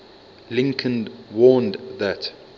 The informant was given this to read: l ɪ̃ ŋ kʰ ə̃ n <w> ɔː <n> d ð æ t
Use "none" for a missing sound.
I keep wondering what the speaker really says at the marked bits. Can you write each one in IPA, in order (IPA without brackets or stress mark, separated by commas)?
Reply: w, n